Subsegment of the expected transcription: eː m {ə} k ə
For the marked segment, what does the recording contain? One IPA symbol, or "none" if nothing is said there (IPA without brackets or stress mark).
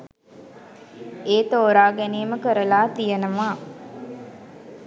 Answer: ə